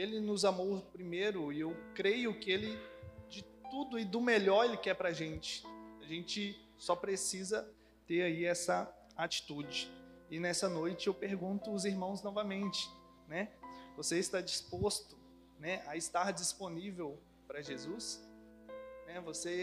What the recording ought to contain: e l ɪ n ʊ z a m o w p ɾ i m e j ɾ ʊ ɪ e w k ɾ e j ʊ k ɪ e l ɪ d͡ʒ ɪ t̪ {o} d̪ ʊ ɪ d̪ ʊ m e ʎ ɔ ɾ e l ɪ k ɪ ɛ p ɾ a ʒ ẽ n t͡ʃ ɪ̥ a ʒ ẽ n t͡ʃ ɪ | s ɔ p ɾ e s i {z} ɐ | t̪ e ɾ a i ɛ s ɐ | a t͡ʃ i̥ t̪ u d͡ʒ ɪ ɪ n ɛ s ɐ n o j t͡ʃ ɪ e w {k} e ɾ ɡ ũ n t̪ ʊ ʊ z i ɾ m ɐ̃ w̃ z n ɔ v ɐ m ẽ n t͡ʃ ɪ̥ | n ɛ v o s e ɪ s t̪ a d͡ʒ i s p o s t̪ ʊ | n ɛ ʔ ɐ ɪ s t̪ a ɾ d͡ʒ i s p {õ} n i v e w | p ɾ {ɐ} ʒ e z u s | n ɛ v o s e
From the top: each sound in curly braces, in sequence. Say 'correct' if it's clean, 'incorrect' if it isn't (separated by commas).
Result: incorrect, correct, incorrect, incorrect, correct